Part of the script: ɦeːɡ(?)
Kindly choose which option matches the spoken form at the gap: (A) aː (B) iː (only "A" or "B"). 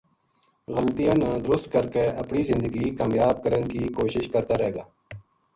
A